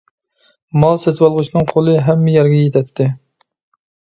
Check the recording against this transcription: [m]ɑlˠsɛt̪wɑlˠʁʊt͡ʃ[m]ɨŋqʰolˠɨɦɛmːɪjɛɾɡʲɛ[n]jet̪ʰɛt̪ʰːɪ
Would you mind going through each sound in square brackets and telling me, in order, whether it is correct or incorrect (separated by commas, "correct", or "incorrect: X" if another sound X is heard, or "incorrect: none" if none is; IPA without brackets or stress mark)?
correct, incorrect: n, incorrect: none